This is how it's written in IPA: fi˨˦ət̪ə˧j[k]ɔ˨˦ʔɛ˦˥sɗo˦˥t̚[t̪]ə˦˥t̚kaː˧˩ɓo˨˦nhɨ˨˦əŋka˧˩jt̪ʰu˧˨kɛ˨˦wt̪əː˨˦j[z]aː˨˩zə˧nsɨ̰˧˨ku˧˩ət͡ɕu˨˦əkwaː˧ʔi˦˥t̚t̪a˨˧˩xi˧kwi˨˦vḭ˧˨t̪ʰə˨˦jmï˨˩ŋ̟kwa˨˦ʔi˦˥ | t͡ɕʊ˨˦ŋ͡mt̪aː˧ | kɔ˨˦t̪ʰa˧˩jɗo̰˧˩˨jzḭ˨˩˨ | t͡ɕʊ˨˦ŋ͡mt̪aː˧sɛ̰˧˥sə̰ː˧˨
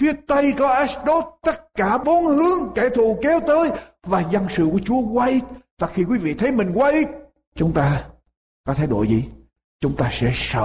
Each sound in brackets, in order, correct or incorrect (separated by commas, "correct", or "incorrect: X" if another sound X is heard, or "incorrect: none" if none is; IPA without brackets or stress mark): correct, correct, incorrect: v